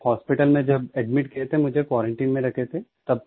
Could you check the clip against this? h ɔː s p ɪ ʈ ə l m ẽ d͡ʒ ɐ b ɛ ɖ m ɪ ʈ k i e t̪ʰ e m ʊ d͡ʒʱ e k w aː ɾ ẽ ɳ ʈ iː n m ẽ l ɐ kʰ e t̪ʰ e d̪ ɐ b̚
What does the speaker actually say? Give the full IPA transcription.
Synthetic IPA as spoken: h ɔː s p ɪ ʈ ə l m ẽ d͡ʒ ɐ b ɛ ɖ m ɪ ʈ k i e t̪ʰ e m ʊ d͡ʒʱ e k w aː ɾ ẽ ɳ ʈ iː n m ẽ ɾ ɐ kʰ e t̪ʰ e t̪ ɐ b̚